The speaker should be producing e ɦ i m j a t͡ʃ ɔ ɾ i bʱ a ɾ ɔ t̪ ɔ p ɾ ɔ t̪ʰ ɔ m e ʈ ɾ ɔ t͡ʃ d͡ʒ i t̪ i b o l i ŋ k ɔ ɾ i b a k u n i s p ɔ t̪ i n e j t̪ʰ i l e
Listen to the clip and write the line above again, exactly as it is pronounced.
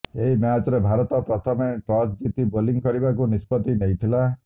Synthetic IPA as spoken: e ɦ i m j a t͡ʃ ɔ ɾ e bʱ a ɾ ɔ t̪ ɔ p ɾ ɔ t̪ʰ ɔ m e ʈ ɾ ɔ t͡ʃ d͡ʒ i t̪ i b o l i ŋ k ɔ ɾ i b a k u n i s p ɔ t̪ i n e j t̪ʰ i l a

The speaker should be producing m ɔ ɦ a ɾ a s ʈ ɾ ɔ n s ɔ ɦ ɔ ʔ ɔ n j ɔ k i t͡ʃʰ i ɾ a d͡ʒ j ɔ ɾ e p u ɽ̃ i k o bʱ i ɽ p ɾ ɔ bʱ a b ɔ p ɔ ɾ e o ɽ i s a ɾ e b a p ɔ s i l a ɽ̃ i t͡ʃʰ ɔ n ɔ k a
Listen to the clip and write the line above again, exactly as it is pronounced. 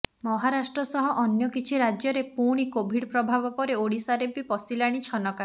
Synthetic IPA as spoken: m ɔ ɦ a ɾ a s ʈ ɾ ɔ s ɔ ɦ ɔ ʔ ɔ n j ɔ k i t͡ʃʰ i ɾ a d͡ʒ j ɔ ɾ e p u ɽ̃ i k o bʱ i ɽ p ɾ ɔ bʱ a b ɔ p ɔ ɾ e o ɽ i s a ɾ e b i p ɔ s i l a ɽ̃ i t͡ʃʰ ɔ n ɔ k a

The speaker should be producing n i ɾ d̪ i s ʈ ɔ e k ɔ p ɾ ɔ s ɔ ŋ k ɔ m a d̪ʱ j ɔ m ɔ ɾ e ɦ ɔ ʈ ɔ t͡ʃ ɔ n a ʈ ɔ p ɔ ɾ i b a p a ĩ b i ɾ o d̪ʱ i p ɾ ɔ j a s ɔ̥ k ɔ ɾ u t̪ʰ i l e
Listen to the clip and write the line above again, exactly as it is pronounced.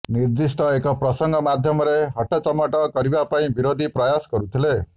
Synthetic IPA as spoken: n i ɾ d̪ i s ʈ ɔ e k ɔ p ɾ ɔ s ɔ ŋ ɡ ɔ m a d̪ʱ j ɔ m ɔ ɾ e ɦ ɔ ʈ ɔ t͡ʃ ɔ m a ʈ ɔ k ɔ ɾ i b a p a ĩ b i ɾ o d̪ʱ i p ɾ ɔ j a s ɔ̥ k ɔ ɾ u t̪ʰ i l e

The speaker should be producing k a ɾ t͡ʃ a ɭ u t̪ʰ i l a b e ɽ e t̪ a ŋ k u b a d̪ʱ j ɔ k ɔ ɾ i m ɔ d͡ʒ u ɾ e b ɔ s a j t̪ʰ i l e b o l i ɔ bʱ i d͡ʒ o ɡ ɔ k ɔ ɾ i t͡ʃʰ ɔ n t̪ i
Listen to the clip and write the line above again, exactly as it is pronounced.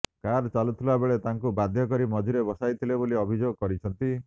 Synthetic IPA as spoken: k a ɾ t͡ʃ a l u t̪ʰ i l a b e ɭ e t̪ a ŋ k u b a d̪ʱ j ɔ k ɔ ɾ i m ɔ d͡ʒ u ɾ e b ɔ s a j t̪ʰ i l e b o l i ɔ bʱ i d͡ʒ o ɡ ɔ k ɔ ɾ i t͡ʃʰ ɔ n t̪ i

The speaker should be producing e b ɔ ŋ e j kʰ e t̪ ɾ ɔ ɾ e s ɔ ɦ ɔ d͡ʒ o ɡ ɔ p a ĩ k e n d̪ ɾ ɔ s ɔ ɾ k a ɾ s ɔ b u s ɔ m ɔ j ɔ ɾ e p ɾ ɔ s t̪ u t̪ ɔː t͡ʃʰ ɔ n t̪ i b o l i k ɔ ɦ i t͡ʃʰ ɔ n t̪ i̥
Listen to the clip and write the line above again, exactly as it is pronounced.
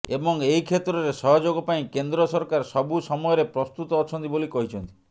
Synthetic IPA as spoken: e b ɔ ŋ e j kʰ e t̪ ɾ ɔ ɾ e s ɔ ɦ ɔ d͡ʒ o ɡ ɔ p a ĩ k e n d̪ ɾ ɔ s ɔ ɾ k a ɾ s ɔ b u s ɔ m ɔ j ɔ ɾ e p ɾ ɔ s t̪ u t̪ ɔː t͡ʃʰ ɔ n t̪ i b o l i k ɔ ɦ i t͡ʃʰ ɔ n t̪ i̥

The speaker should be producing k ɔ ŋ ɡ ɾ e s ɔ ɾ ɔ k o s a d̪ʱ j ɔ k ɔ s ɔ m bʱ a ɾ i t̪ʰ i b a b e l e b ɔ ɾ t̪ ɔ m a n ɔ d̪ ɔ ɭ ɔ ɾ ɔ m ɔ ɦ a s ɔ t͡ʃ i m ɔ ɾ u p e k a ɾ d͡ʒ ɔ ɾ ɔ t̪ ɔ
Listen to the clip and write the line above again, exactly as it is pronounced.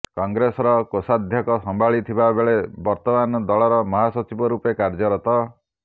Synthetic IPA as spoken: k ɔ ŋ ɡ ɾ e s ɔ ɾ ɔ k o s a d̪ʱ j ɔ k ɔ s ɔ m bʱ a ɭ i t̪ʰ i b a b e ɭ e b ɔ ɾ t̪ ɔ m a n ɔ d̪ ɔ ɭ ɔ ɾ ɔ m ɔ ɦ a s ɔ t͡ʃ i b ɔ ɾ u p e k a ɾ d͡ʒ ɔ ɾ ɔ t̪ ɔ

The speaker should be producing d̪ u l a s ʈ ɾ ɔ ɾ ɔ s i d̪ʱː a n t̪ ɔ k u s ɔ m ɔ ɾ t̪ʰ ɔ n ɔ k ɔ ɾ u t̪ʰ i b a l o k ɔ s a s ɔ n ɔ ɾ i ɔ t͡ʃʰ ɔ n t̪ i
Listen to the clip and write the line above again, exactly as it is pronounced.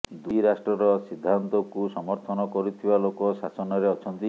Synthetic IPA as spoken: d̪ u ɾ a s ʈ ɾ ɔ ɾ ɔ s i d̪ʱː a n t̪ ɔ k u s ɔ m ɔ ɾ t̪ʰ ɔ n ɔ k ɔ ɾ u t̪ʰ i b a l o k ɔ s a s ɔ n ɔ ɾ e ɔ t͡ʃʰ ɔ n t̪ i

